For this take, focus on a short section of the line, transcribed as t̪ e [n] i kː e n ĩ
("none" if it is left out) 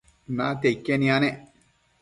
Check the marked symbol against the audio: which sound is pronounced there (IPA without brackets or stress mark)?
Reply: none